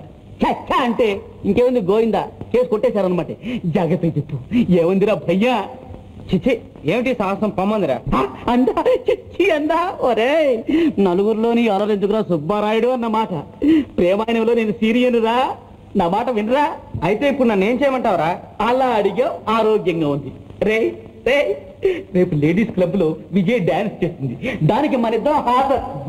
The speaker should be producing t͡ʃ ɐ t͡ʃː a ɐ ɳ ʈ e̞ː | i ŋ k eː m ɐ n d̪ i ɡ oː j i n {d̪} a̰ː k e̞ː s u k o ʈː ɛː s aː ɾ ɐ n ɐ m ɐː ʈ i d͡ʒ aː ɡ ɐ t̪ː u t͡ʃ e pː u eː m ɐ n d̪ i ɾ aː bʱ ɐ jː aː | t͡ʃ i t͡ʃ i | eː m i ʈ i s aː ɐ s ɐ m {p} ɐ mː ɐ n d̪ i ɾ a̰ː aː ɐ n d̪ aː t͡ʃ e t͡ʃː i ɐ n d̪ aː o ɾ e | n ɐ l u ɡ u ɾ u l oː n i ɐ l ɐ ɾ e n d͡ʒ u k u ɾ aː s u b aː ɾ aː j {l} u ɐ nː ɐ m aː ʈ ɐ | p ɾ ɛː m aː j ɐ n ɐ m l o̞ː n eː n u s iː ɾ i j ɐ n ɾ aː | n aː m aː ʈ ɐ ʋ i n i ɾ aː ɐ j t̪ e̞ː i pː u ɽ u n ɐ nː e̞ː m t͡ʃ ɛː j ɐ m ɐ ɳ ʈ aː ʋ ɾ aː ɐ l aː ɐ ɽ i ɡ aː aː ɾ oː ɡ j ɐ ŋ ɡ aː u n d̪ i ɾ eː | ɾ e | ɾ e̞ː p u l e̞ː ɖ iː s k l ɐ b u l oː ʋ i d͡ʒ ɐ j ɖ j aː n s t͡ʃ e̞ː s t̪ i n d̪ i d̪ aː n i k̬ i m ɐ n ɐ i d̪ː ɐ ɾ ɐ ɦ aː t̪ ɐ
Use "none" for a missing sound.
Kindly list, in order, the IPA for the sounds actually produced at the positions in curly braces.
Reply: d̪, p, ɽ

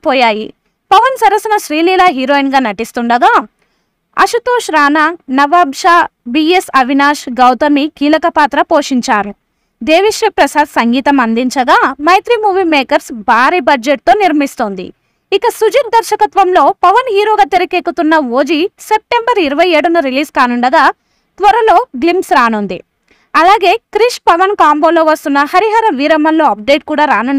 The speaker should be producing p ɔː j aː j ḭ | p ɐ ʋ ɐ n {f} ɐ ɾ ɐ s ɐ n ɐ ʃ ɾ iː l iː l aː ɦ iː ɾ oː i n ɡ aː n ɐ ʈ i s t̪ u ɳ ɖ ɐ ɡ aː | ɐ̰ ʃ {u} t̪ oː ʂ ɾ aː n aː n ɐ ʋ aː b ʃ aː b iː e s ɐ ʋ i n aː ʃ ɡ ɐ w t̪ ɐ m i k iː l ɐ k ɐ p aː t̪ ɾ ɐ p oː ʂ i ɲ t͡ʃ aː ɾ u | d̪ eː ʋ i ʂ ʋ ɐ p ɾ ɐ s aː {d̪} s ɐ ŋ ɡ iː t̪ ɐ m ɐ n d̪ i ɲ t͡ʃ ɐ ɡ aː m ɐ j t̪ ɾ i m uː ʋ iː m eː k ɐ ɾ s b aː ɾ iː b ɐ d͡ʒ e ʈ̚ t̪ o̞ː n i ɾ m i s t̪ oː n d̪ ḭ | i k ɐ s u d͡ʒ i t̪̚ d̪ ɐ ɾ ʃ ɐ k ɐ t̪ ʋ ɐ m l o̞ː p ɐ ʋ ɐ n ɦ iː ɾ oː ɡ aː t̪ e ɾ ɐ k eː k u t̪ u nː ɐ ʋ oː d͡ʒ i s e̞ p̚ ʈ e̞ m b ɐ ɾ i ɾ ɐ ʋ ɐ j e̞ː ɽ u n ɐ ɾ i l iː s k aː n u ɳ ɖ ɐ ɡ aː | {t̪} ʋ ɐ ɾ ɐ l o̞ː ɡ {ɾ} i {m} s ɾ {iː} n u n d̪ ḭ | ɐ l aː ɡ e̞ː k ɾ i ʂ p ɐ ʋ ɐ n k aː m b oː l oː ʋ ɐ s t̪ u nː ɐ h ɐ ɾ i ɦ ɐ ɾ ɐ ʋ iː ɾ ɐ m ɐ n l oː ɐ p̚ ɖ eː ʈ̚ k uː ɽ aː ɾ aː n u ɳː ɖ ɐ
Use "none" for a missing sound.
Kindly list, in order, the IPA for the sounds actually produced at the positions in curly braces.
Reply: s, u, d̪, t̪, l, m, aː

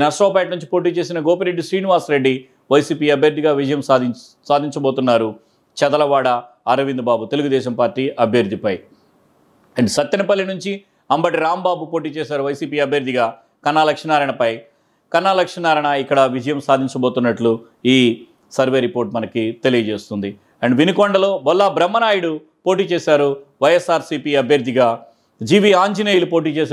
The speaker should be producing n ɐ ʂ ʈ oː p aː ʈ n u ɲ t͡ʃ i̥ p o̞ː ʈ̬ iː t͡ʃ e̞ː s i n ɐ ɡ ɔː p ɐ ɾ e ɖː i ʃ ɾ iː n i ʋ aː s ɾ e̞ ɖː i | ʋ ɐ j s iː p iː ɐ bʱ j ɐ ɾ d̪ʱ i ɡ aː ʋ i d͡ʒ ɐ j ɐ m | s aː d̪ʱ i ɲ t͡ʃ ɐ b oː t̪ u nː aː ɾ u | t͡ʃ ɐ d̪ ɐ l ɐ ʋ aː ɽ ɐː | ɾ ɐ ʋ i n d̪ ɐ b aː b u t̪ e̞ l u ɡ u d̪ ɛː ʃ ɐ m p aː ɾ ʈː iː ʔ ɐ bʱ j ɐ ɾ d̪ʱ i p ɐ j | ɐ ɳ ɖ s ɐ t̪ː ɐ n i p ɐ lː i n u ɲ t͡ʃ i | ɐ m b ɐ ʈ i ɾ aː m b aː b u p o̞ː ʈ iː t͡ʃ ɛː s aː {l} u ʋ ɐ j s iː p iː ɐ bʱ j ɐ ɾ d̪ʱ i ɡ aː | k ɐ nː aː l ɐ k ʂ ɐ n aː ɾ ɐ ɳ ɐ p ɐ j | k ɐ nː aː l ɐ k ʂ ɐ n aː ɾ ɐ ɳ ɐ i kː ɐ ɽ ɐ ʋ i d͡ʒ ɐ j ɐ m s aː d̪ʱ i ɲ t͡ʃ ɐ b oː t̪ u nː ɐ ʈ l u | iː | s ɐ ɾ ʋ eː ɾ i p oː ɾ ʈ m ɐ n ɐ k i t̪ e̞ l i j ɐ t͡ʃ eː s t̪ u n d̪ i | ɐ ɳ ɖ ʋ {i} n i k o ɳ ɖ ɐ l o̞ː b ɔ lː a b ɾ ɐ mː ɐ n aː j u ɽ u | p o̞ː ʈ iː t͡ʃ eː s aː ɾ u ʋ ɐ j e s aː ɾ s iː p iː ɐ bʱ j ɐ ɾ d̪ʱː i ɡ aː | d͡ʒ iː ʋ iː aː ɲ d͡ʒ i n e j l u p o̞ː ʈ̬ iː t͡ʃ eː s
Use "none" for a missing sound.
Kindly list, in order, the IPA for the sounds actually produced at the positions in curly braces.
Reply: ɾ, i

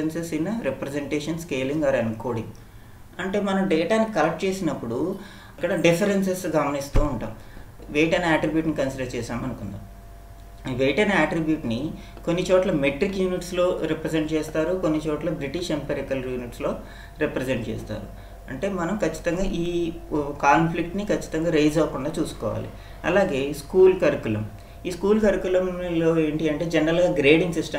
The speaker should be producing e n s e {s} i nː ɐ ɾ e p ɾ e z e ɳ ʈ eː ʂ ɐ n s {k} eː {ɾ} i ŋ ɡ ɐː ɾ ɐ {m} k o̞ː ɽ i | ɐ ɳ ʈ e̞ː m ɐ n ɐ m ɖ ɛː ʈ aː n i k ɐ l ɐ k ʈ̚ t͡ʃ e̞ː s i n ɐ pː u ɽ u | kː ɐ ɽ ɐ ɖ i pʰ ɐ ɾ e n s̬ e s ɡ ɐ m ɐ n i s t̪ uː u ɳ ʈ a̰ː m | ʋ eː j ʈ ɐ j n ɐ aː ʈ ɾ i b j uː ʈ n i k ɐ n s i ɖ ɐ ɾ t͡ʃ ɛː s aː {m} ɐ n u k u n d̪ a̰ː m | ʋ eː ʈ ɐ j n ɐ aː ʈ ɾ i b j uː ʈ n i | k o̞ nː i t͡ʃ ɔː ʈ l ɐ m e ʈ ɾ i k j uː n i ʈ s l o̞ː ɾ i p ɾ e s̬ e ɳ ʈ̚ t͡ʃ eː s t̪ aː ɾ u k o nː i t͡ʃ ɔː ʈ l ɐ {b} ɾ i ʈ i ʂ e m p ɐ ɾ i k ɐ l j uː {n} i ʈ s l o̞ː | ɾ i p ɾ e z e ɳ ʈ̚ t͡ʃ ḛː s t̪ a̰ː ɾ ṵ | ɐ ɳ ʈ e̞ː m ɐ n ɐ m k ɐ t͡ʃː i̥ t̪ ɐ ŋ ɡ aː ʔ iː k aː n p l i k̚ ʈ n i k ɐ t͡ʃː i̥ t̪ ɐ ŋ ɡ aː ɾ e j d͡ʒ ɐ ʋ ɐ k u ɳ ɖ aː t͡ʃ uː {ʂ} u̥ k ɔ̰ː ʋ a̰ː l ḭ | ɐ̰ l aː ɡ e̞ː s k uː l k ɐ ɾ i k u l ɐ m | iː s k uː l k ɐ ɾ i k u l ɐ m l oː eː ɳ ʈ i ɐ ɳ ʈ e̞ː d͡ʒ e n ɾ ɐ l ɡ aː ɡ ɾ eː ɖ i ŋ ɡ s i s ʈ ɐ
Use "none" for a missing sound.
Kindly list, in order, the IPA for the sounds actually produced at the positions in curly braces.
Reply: s, k, l, n, m, b, n, s

